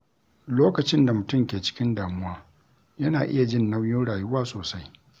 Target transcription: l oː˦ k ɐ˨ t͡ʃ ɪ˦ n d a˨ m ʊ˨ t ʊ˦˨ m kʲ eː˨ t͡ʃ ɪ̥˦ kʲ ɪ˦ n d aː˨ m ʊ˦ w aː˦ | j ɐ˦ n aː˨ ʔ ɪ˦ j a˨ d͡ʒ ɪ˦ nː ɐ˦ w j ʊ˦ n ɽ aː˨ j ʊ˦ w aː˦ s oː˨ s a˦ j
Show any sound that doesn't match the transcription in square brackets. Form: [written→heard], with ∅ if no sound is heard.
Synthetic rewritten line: l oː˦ k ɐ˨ t͡ʃ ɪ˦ n d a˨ m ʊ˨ t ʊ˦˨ m kʲ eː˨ t͡ʃ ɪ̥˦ kʲ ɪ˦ n d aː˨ m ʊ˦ w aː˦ | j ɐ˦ n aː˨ ʔ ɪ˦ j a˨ d͡ʒ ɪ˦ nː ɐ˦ w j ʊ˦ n ɽ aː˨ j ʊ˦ w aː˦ s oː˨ s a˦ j